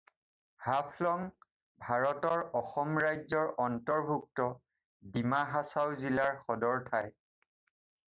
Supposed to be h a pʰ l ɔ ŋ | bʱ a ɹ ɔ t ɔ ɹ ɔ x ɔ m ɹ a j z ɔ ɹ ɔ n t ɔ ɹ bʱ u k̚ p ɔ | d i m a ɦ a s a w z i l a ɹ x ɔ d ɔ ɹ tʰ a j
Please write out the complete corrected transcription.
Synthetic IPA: h a pʰ l ɔ ŋ | bʱ a ɹ ɔ t ɔ ɹ ɔ x ɔ m ɹ a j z ɔ ɹ ɔ n t ɔ ɹ bʱ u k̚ t ɔ | d i m a ɦ a s a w z i l a ɹ x ɔ d ɔ ɹ tʰ a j